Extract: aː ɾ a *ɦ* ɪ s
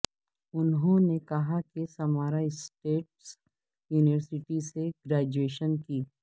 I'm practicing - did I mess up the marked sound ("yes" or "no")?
yes